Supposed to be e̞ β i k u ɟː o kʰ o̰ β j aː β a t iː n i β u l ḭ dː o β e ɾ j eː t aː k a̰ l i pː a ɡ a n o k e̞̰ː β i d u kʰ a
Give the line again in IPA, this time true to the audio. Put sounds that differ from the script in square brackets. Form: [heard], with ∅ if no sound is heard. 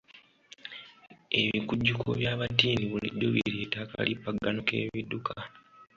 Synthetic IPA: e̞ β i k u ɟː [u] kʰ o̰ β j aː β a t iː n i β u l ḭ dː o β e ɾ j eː t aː k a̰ l i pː a ɡ a n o k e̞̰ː β i d u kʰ a